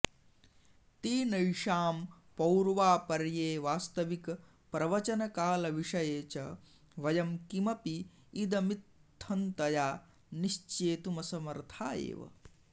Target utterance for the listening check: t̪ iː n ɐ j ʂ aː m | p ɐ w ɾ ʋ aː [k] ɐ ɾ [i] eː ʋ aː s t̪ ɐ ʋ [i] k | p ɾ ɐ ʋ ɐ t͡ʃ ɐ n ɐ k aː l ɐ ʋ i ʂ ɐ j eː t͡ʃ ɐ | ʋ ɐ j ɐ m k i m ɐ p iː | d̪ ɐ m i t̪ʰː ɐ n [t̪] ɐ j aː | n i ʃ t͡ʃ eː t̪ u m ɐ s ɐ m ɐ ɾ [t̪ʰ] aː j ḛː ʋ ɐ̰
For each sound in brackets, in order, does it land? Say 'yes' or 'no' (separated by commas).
no, no, yes, yes, yes